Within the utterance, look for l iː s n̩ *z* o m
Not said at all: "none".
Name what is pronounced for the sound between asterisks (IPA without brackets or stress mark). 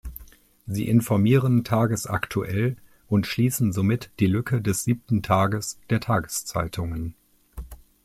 z